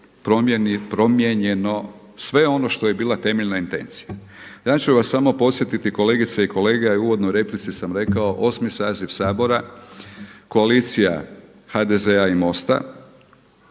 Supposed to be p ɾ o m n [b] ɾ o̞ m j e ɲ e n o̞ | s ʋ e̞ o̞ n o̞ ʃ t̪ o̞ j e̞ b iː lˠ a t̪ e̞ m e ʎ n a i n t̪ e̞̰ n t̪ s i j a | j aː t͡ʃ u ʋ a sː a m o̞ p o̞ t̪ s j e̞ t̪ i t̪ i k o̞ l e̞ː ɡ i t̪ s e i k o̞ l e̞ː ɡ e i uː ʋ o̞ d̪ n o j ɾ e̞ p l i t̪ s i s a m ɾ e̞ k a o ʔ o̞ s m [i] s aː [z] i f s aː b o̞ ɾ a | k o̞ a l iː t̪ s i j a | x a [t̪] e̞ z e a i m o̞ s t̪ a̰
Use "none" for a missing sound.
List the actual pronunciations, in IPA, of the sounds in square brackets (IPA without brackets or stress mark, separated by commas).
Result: p, i, z, d̪